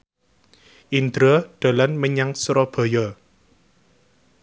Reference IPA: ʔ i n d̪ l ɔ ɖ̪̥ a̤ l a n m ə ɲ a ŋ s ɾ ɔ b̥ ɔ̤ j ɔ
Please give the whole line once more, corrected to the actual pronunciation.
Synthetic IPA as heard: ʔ i n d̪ ɾ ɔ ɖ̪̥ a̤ l a n m ə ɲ a ŋ s ɾ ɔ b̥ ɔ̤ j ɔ